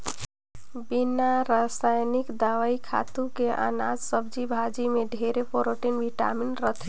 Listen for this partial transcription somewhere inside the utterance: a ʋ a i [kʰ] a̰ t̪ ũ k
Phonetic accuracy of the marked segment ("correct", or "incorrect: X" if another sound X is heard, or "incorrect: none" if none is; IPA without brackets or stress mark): correct